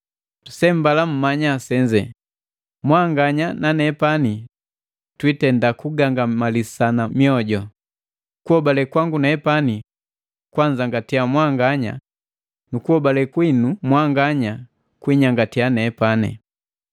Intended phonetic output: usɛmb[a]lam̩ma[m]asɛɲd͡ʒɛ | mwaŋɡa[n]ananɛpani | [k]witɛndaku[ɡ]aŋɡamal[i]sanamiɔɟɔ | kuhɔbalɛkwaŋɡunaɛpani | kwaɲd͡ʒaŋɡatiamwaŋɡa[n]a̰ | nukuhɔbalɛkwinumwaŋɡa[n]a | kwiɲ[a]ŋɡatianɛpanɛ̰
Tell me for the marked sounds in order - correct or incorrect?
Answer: correct, incorrect, incorrect, incorrect, correct, correct, incorrect, incorrect, correct

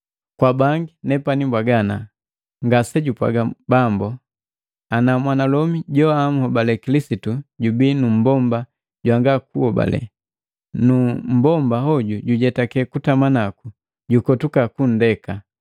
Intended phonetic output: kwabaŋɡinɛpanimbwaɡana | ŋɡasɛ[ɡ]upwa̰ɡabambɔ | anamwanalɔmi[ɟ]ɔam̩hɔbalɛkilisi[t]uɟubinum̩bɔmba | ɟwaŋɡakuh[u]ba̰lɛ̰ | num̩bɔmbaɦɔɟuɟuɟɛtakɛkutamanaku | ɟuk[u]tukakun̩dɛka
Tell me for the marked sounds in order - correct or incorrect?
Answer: incorrect, correct, correct, incorrect, incorrect

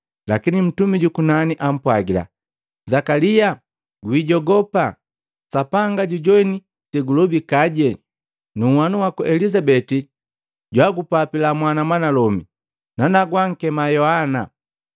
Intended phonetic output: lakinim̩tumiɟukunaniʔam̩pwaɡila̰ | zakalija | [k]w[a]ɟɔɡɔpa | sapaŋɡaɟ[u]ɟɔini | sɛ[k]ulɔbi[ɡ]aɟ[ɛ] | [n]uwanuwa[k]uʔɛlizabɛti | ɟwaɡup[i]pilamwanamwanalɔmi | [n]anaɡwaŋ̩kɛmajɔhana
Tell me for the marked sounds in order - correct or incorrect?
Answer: incorrect, incorrect, correct, incorrect, incorrect, correct, correct, correct, incorrect, correct

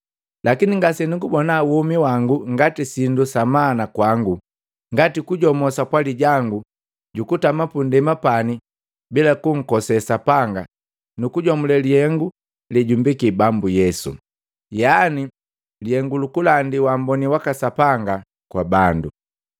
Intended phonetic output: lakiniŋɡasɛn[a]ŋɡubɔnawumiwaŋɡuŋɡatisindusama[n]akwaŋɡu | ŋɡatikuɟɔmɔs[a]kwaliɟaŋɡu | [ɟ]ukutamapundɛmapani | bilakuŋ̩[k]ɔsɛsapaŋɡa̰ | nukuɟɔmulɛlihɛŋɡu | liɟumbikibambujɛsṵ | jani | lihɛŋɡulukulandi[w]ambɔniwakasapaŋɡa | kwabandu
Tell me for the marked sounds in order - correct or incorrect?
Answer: incorrect, correct, correct, correct, correct, correct

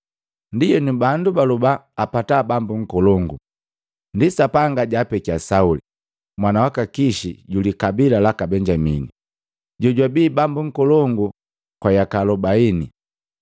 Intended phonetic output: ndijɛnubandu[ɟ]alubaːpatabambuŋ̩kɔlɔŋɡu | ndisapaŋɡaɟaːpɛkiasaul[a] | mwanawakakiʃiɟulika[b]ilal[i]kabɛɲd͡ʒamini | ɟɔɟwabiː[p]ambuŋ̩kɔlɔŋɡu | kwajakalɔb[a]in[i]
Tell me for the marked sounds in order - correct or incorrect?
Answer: incorrect, incorrect, correct, incorrect, incorrect, correct, correct

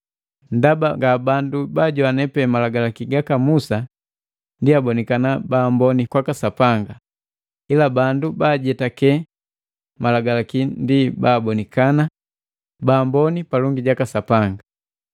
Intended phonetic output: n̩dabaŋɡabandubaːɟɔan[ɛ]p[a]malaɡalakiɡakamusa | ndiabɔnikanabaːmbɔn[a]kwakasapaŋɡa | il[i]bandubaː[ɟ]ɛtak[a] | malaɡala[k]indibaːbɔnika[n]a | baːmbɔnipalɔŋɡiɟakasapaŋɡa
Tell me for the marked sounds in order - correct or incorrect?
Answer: correct, incorrect, incorrect, incorrect, correct, incorrect, correct, correct

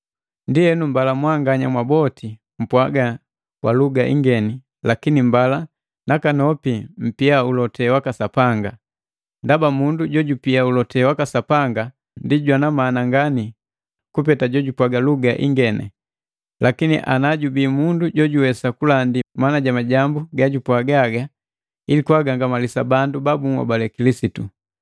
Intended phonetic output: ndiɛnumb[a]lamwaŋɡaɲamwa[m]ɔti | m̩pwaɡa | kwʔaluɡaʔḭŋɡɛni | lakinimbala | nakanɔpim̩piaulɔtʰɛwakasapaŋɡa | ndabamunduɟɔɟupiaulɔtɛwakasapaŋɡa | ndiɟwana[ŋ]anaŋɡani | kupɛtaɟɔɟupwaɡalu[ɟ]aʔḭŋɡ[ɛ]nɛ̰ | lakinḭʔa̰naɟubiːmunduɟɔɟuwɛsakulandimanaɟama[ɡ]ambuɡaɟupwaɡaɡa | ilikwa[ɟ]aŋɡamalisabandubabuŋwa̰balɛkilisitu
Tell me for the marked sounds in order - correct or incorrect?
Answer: correct, incorrect, incorrect, incorrect, correct, incorrect, incorrect

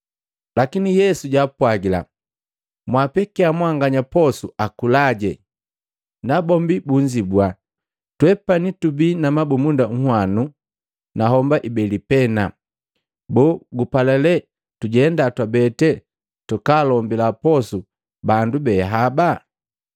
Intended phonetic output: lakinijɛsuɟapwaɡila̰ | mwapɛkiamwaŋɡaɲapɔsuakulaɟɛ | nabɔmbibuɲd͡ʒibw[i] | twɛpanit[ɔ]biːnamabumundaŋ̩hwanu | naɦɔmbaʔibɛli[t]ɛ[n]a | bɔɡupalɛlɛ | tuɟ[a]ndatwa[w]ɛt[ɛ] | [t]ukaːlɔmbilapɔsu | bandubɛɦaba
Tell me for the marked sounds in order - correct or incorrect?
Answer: incorrect, incorrect, incorrect, correct, incorrect, incorrect, correct, correct

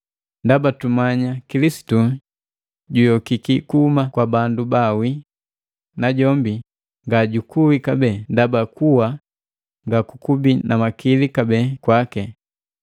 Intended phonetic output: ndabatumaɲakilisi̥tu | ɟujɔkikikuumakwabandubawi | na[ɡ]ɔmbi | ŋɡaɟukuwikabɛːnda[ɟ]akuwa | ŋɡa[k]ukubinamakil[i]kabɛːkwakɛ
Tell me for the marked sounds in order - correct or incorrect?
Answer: incorrect, incorrect, correct, correct

